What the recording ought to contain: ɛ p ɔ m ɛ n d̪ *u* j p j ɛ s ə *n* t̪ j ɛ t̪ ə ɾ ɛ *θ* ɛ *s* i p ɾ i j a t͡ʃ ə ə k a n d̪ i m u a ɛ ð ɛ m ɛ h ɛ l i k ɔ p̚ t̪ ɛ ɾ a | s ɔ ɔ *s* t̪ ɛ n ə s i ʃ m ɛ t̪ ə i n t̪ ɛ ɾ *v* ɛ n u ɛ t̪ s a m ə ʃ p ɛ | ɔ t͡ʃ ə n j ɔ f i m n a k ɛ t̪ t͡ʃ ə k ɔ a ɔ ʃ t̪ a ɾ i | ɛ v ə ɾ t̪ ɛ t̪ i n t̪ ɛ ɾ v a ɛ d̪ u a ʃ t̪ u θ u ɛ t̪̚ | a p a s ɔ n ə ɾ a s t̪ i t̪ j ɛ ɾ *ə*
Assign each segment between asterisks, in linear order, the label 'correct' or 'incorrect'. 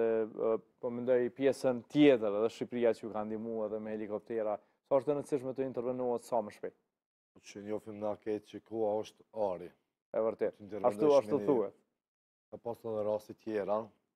incorrect, correct, incorrect, incorrect, incorrect, correct, incorrect

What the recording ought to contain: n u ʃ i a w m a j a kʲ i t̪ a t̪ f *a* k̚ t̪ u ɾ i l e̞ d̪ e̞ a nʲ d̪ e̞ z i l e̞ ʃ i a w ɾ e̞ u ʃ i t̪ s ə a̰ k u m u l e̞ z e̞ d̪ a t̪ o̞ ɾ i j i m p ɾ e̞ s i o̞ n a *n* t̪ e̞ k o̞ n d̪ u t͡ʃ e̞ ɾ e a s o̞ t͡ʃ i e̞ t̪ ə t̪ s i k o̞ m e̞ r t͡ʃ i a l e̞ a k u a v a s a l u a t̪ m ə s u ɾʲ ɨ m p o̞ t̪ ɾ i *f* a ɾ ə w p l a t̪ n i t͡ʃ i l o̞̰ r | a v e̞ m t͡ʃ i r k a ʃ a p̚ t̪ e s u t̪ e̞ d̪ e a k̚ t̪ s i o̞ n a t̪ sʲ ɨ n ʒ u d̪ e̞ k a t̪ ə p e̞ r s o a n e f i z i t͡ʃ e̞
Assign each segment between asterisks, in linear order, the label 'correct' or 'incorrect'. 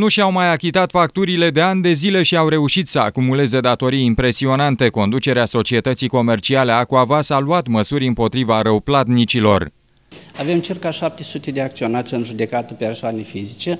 correct, correct, incorrect

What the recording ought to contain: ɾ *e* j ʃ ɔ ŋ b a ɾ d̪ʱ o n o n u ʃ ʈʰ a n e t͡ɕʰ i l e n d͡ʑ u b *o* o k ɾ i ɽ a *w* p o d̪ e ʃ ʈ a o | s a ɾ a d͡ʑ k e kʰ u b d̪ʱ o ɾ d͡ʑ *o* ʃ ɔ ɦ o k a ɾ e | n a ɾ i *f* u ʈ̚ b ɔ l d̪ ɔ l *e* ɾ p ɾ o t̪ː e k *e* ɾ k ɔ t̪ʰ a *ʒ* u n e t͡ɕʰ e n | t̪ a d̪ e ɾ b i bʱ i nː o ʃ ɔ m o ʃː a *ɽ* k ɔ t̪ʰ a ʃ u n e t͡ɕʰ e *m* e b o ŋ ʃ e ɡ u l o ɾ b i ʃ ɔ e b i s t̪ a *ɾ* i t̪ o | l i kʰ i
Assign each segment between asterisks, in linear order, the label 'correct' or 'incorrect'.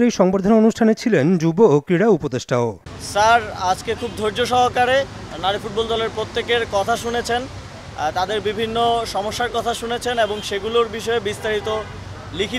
correct, correct, incorrect, correct, correct, correct, correct, incorrect, incorrect, incorrect, correct

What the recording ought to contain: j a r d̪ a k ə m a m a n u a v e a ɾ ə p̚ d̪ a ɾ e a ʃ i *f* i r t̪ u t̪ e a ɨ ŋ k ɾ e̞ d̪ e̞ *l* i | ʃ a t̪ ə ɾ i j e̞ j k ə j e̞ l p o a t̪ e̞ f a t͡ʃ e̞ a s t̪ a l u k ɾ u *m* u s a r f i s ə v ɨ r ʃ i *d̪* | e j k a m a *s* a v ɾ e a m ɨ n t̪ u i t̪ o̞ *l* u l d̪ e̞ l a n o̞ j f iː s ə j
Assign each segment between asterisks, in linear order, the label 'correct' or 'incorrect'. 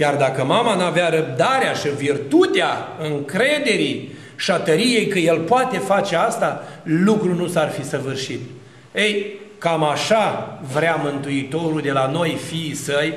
incorrect, incorrect, incorrect, incorrect, incorrect, incorrect

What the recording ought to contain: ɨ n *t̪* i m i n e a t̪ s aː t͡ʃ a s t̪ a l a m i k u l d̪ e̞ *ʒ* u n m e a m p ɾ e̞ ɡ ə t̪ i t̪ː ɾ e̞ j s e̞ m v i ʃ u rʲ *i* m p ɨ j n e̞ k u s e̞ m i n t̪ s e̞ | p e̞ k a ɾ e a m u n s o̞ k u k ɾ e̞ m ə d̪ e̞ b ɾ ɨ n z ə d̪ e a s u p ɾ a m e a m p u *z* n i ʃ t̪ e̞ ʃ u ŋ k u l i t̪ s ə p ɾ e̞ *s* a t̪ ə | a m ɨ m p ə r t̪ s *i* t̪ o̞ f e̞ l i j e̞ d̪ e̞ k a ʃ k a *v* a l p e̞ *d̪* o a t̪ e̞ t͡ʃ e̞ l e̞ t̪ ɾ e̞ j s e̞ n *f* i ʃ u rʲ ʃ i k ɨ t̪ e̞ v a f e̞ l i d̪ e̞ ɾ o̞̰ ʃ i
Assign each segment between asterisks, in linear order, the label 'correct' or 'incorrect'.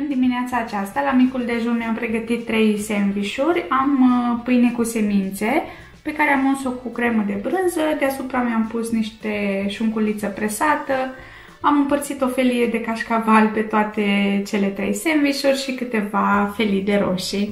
incorrect, correct, incorrect, incorrect, correct, correct, correct, incorrect, incorrect

